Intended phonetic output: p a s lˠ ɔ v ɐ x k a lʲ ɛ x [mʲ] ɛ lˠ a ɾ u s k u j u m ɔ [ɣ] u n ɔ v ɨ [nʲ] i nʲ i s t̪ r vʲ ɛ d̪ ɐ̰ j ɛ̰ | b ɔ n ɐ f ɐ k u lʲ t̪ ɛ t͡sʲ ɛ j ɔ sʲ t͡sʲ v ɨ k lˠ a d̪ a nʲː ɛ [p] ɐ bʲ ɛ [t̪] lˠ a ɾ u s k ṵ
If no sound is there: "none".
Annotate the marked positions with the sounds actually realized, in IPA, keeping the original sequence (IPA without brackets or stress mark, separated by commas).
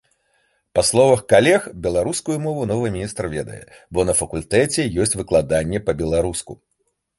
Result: bʲ, v, mʲ, p, none